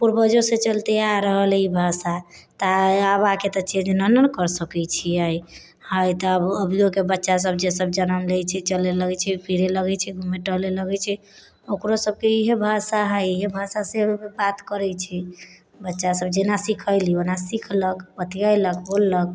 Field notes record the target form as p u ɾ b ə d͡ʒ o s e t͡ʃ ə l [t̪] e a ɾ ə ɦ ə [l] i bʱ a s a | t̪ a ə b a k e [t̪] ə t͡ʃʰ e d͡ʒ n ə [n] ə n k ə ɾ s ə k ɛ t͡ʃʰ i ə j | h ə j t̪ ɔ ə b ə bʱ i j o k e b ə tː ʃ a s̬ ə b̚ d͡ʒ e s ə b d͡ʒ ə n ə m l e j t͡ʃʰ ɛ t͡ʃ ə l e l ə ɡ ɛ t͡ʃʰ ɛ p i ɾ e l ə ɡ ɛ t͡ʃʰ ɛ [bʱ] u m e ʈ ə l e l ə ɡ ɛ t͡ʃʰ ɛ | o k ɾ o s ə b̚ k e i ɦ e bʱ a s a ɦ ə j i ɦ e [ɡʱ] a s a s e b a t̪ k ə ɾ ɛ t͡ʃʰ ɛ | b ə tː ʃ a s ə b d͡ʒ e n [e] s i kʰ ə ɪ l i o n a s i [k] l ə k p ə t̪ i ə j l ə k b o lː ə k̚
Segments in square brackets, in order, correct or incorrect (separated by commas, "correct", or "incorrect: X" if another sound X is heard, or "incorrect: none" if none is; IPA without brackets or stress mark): correct, correct, correct, correct, incorrect: ɡʱ, incorrect: bʱ, incorrect: a, incorrect: kʰ